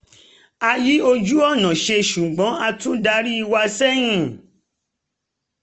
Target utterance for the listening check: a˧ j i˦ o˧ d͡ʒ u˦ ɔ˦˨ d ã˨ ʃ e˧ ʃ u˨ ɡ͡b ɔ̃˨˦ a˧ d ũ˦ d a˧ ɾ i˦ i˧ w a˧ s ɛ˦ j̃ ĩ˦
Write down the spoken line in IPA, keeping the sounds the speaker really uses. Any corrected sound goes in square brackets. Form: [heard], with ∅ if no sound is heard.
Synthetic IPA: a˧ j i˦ o˧ d͡ʒ u˦ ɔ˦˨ [n] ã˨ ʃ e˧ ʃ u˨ ɡ͡b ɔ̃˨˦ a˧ [t] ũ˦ d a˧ ɾ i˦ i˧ w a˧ s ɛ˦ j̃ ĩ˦